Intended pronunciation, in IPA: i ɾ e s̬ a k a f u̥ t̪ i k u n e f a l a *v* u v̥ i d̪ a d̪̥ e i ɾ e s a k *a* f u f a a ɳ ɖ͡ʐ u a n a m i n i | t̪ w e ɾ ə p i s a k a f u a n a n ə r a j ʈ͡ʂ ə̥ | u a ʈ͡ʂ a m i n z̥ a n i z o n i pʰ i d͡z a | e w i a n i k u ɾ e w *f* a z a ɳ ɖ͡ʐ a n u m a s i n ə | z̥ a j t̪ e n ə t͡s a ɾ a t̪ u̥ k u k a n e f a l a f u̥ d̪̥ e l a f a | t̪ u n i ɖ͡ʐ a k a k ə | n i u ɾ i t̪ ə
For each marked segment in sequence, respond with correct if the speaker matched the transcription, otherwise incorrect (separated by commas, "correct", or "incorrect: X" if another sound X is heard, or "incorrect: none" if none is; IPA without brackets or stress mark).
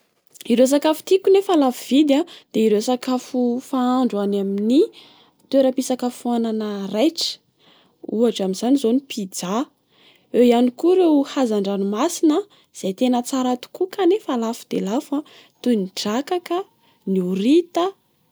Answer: incorrect: f, correct, incorrect: h